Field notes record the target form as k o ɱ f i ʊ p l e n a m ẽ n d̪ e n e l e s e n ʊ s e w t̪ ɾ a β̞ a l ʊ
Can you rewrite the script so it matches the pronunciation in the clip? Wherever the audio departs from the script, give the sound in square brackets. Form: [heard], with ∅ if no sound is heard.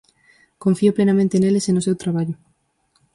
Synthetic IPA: k o ɱ f i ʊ p l e n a m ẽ n [t̪] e n e l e s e n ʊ s e w t̪ ɾ a β̞ a [ʎ] ʊ